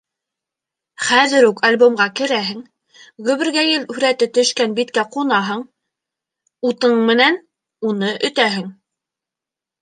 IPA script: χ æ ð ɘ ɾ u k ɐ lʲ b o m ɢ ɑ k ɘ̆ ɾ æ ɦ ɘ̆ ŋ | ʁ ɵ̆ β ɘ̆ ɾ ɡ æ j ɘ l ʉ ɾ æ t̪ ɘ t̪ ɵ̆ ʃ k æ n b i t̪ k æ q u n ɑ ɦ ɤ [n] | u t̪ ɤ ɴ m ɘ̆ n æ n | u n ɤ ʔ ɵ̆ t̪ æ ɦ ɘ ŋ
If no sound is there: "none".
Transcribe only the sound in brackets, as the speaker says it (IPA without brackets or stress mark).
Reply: ɴ